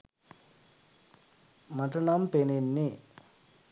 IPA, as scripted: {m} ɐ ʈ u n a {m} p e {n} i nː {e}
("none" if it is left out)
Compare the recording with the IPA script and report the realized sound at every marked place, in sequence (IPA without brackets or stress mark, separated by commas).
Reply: m, m, n, i